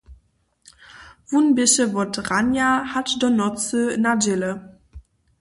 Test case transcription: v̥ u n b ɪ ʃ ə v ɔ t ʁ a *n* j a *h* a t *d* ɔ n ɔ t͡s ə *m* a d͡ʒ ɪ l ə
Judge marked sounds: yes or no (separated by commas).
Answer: yes, yes, yes, no